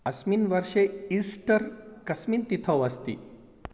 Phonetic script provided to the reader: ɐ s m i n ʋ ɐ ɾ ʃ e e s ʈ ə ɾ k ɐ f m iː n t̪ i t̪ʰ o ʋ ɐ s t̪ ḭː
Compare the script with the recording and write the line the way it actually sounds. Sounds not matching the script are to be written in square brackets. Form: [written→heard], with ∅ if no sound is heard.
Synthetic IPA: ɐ s m i n ʋ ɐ ɾ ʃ e [e→i] s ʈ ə ɾ k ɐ [f→s] m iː n t̪ i t̪ʰ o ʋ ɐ s t̪ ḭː